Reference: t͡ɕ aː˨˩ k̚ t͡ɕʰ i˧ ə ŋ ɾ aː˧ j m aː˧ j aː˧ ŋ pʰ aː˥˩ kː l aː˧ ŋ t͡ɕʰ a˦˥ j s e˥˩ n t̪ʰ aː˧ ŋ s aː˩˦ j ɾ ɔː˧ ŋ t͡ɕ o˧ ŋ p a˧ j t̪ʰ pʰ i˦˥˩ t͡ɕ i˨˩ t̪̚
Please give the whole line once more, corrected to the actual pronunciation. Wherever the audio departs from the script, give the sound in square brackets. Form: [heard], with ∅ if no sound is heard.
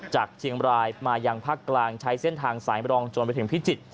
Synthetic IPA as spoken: t͡ɕ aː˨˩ k̚ t͡ɕʰ i˧ ə ŋ ɾ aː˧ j m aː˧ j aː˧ ŋ pʰ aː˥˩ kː l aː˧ ŋ t͡ɕʰ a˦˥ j s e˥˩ n t̪ʰ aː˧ ŋ s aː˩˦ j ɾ ɔː˧ ŋ t͡ɕ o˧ [n] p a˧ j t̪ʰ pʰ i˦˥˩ t͡ɕ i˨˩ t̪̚